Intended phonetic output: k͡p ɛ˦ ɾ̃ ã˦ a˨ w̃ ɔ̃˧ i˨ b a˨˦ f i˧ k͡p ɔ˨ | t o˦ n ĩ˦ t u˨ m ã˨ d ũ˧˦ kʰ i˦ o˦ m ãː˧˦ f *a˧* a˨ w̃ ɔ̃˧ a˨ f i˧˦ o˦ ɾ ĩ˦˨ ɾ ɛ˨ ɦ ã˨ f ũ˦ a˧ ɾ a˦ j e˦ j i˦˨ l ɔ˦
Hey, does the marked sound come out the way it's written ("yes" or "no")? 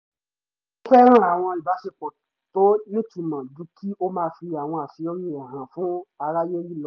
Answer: no